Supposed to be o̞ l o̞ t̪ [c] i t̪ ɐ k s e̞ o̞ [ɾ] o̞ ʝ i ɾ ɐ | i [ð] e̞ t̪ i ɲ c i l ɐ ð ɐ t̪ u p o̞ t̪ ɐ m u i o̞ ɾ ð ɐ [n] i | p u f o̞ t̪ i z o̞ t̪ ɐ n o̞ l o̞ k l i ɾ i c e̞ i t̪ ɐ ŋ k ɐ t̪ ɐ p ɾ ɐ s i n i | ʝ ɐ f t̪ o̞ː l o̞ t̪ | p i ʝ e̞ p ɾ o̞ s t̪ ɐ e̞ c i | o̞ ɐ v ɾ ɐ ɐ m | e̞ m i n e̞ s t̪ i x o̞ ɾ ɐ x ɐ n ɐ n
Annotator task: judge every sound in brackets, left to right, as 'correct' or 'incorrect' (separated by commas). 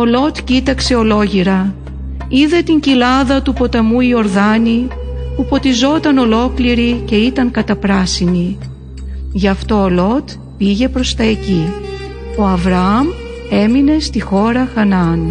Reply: correct, incorrect, correct, correct